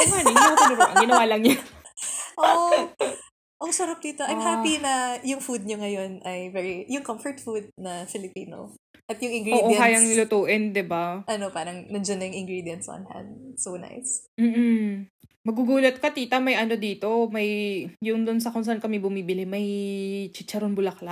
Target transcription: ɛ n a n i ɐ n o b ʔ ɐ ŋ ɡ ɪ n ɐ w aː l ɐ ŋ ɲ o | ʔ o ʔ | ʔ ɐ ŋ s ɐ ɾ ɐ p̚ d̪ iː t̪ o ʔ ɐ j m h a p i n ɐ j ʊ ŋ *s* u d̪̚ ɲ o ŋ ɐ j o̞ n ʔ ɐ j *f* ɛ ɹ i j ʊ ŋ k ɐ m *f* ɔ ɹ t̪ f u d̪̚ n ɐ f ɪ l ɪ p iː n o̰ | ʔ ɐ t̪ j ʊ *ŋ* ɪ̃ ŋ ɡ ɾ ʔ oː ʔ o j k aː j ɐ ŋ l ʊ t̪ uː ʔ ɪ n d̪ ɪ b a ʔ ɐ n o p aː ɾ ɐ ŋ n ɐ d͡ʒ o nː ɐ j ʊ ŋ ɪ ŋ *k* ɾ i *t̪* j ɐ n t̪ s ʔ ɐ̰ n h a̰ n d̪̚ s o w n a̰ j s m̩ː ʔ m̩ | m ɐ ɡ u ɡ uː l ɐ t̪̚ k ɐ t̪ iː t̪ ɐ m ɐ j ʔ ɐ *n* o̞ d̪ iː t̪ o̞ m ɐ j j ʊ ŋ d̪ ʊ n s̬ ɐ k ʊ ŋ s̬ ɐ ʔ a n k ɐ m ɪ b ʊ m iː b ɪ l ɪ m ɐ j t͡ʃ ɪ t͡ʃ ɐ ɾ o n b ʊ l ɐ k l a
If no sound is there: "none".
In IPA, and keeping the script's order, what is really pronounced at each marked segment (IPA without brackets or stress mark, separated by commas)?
f, v, f, ŋ, ɡ, d̪, n